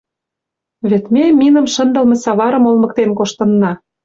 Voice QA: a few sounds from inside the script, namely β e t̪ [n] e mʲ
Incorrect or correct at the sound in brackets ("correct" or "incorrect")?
incorrect